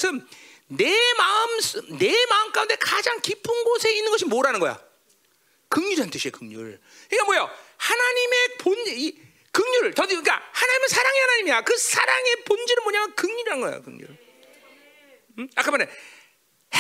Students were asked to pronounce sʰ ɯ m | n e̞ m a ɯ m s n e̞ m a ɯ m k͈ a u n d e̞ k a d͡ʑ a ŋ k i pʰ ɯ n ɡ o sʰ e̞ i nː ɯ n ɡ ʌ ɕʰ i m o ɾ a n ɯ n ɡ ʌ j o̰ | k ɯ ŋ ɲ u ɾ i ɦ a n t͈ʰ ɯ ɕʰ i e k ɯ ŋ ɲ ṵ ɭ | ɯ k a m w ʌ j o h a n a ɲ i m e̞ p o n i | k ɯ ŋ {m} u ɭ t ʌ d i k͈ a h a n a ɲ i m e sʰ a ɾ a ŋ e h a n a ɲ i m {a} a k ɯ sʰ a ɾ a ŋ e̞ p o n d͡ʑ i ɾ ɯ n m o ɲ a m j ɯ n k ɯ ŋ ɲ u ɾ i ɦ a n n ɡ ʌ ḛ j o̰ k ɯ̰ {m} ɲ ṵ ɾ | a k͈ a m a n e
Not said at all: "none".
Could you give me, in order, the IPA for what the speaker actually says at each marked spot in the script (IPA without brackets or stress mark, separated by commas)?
ɲ, i, ŋ